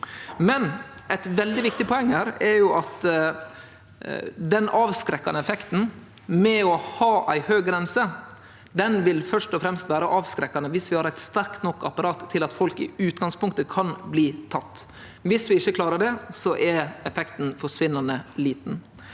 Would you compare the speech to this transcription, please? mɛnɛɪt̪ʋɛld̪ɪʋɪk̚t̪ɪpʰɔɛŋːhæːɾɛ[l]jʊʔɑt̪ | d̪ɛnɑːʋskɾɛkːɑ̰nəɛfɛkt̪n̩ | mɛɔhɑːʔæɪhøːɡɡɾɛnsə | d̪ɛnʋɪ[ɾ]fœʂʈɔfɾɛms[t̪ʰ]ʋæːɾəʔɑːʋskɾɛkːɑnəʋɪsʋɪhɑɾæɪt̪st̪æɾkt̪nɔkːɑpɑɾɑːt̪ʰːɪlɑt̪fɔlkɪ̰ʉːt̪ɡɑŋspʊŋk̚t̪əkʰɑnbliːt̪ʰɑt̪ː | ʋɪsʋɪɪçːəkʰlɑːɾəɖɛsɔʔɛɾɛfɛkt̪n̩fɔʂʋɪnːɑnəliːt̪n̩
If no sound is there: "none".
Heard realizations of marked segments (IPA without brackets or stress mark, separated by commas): ɾ, l, t̪